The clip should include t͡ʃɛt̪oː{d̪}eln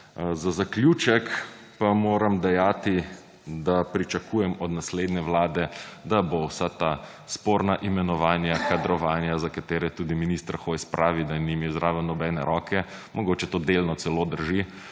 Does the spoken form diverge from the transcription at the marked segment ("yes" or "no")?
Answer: no